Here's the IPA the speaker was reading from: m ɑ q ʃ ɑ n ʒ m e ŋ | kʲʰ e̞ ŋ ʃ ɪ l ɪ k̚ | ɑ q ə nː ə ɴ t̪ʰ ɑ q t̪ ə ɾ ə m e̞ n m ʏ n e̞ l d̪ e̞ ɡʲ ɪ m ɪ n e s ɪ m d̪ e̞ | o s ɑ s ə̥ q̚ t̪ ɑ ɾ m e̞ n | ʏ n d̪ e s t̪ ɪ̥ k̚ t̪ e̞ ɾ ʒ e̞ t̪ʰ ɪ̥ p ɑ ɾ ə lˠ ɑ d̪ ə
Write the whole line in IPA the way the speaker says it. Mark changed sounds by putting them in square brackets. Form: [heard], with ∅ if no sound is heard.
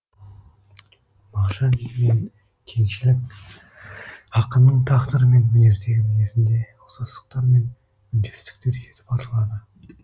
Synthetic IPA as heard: m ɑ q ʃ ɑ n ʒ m e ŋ | kʲʰ e̞ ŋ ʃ ɪ l ɪ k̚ | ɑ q ə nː ə ɴ t̪ʰ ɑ q t̪ ə ɾ ə m e̞ n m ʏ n e̞ [ɾ] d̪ e̞ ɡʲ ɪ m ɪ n e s ɪ [n] d̪ e̞ | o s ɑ s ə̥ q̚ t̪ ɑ ɾ m e̞ n | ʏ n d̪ e s t̪ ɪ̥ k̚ t̪ e̞ ɾ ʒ e̞ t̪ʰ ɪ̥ p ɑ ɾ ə lˠ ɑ d̪ ə